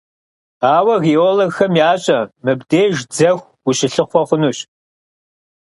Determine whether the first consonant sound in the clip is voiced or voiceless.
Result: voiced